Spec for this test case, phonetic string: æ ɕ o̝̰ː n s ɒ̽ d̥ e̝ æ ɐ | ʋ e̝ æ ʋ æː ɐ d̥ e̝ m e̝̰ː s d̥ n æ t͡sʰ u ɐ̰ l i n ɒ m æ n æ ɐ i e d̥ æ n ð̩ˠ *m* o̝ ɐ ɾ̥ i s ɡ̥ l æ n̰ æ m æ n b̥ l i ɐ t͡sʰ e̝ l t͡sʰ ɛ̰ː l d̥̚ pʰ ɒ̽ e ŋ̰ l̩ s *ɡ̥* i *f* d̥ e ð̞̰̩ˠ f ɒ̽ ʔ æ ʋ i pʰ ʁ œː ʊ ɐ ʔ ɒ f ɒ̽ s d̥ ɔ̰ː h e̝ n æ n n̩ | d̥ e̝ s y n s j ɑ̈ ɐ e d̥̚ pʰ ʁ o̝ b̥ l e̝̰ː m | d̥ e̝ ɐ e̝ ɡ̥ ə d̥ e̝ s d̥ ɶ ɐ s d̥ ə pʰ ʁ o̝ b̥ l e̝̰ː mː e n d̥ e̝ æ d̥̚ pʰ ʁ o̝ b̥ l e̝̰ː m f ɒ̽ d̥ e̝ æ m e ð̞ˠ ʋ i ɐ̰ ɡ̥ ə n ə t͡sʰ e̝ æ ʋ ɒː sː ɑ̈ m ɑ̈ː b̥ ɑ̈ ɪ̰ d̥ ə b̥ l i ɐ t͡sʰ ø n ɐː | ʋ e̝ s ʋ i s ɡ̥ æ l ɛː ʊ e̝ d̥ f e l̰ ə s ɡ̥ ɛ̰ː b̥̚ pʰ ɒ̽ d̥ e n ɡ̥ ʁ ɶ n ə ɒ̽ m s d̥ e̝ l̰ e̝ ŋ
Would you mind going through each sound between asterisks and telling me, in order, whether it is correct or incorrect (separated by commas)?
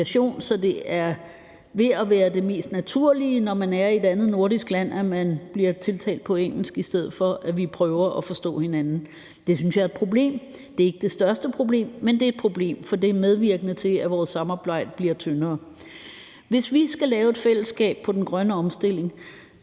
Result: incorrect, correct, incorrect